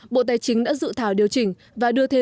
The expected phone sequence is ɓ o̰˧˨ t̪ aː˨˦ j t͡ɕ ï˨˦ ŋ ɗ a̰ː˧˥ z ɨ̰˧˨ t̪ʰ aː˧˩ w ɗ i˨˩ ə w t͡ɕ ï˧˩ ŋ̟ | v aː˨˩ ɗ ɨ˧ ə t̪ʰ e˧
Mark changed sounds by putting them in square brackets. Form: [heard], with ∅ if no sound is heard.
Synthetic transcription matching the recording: ɓ o̰˧˨ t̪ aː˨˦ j t͡ɕ ï˨˦ ŋ ɗ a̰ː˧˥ z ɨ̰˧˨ t̪ʰ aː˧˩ w ɗ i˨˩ ə w t͡ɕ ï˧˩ ŋ̟ | v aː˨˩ ɗ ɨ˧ ə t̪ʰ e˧

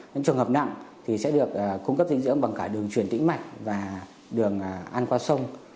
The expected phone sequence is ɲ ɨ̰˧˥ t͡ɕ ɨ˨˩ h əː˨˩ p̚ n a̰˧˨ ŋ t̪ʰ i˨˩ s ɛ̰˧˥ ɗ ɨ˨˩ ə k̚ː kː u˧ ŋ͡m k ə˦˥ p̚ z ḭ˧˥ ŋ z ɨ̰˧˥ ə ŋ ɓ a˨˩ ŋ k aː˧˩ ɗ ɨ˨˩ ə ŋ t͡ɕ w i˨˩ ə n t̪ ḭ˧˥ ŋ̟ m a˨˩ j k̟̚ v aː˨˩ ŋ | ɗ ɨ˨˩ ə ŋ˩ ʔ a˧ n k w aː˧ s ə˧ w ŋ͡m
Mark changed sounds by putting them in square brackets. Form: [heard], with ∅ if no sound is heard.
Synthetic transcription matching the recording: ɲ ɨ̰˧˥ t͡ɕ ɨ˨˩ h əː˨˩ p̚ n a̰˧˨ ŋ t̪ʰ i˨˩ s ɛ̰˧˥ ɗ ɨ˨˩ ə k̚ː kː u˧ ŋ͡m k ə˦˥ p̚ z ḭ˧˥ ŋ z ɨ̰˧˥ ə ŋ ɓ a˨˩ ŋ k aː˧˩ ɗ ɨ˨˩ ə ŋ t͡ɕ w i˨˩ ə n t̪ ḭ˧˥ ŋ̟ m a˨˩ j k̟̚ v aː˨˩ [∅] | ɗ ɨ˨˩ ə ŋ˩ ʔ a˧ n k w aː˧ s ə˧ w ŋ͡m

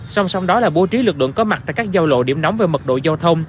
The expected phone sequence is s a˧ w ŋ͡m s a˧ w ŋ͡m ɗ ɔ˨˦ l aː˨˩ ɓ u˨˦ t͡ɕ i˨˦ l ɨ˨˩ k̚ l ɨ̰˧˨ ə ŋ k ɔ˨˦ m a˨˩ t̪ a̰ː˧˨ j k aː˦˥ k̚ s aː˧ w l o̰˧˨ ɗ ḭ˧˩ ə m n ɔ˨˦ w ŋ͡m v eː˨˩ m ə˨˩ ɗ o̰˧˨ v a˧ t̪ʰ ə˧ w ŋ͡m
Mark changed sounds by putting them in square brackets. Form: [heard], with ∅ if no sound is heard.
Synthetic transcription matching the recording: s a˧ w ŋ͡m s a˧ w ŋ͡m ɗ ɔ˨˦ l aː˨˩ ɓ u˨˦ t͡ɕ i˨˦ l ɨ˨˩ k̚ l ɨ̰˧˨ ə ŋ k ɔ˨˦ m a˨˩ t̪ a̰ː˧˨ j k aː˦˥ k̚ [z] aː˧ w l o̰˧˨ ɗ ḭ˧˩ ə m n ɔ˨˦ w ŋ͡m v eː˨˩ m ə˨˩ ɗ o̰˧˨ [z] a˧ t̪ʰ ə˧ w ŋ͡m

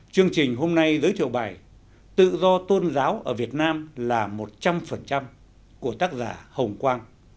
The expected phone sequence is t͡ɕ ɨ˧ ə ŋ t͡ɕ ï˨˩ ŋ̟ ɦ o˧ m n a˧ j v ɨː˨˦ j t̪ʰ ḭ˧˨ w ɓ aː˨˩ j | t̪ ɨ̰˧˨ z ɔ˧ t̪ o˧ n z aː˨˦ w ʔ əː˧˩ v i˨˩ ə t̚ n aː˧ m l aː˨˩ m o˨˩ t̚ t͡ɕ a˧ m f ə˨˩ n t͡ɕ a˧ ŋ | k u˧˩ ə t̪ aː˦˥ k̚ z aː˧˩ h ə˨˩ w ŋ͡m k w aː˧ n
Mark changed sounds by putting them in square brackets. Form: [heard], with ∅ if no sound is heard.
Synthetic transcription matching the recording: t͡ɕ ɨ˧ ə ŋ t͡ɕ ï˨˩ ŋ̟ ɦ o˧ m n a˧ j [z] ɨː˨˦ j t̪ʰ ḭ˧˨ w ɓ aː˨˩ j | t̪ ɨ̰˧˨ z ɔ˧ t̪ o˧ n z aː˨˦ w ʔ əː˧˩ v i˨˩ ə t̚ n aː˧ m l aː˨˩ m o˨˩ t̚ t͡ɕ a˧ m f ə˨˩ n t͡ɕ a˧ [m] | k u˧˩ ə t̪ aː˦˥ k̚ z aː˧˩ h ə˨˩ w ŋ͡m k w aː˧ n

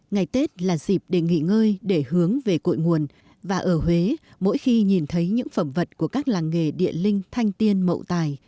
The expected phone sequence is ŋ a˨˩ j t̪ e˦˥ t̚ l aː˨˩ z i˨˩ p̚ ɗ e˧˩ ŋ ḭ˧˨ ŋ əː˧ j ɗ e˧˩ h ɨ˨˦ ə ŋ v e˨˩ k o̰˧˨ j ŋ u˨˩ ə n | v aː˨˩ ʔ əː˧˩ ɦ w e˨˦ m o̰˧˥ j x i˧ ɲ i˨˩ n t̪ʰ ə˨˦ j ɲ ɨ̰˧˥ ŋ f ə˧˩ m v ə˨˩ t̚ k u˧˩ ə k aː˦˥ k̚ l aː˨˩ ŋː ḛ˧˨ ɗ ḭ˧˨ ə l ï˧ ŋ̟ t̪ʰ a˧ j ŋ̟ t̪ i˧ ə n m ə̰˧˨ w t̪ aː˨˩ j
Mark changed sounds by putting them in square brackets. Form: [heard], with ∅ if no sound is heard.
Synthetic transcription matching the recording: ŋ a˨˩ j t̪ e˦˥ t̚ l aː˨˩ z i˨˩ p̚ ɗ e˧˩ ŋ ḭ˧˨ ŋ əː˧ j ɗ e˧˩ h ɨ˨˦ ə ŋ v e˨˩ k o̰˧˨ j ŋ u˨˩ ə n | v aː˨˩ ʔ əː˧˩ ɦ w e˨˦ m o̰˧˥ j x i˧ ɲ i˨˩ n t̪ʰ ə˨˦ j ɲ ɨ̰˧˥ ŋ f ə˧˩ m v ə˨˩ t̚ k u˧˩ ə k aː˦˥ k̚ l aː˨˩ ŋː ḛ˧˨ ɗ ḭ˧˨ ə l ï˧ ŋ̟ t̪ʰ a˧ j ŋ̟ t̪ i˧ ə n m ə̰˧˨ w t̪ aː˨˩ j

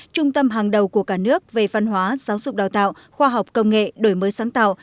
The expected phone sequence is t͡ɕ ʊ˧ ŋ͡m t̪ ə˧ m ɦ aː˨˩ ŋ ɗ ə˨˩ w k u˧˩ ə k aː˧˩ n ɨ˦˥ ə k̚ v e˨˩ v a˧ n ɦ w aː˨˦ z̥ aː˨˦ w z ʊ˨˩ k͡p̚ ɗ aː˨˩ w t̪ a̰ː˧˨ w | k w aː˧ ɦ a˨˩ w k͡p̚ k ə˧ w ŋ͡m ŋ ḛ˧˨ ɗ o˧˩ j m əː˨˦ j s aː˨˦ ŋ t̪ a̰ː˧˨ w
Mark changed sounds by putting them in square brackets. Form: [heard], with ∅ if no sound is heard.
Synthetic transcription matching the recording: t͡ɕ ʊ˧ ŋ͡m t̪ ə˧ m ɦ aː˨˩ ŋ ɗ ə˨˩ w k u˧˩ ə k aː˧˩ n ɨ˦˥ ə k̚ v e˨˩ v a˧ n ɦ w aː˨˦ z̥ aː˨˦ w z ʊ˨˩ k͡p̚ ɗ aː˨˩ w t̪ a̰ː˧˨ w | [x] w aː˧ ɦ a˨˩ w k͡p̚ k ə˧ w ŋ͡m ŋ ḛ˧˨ ɗ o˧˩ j m əː˨˦ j s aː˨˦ ŋ t̪ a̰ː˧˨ w

